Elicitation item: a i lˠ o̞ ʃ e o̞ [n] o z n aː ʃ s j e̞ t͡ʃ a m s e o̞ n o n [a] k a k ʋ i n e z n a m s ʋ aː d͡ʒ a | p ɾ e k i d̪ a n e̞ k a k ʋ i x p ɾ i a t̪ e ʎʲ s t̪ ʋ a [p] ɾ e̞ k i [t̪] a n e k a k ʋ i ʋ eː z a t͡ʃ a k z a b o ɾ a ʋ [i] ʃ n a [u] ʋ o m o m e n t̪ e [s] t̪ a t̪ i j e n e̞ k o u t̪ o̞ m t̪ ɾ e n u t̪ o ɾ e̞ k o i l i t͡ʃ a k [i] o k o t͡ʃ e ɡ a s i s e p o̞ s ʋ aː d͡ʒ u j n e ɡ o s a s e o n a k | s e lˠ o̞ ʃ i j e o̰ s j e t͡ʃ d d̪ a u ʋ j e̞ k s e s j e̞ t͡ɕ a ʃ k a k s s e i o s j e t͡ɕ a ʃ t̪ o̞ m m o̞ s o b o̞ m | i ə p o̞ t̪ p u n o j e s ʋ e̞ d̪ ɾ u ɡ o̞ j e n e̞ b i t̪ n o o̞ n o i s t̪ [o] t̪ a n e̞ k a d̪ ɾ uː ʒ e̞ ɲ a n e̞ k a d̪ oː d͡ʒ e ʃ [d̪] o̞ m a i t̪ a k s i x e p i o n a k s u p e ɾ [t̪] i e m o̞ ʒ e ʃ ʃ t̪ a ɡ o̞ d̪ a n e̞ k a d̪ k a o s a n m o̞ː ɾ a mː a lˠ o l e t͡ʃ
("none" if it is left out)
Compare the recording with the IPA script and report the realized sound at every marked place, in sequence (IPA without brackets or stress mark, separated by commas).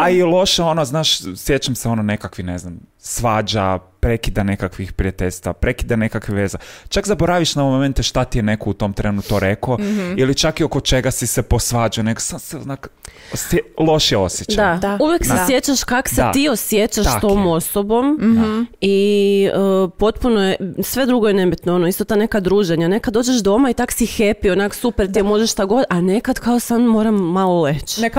n, e, p, d̪, i, o, ʃ, i, o, d̪, t̪